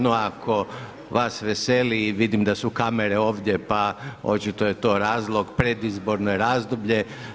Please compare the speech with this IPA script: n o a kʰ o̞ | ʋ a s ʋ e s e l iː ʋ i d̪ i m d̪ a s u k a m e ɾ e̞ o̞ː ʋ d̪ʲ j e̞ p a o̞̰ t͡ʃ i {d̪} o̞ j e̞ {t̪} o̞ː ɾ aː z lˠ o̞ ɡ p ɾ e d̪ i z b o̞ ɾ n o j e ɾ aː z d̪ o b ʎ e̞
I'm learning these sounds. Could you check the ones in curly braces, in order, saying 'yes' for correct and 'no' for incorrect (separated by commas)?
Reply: no, yes